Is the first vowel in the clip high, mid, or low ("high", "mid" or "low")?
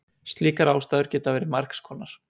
high